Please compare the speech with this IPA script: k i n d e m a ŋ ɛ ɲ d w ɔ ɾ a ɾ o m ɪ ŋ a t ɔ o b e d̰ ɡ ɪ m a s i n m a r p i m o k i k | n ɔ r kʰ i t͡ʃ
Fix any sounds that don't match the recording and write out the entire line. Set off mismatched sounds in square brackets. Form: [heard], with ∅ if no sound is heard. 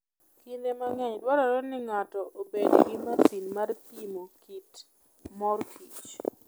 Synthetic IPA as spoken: k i n d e m a ŋ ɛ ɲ d w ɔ ɾ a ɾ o [n] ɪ ŋ a t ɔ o b e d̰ ɡ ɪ m a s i n m a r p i m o k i [t] | [m] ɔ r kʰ i t͡ʃ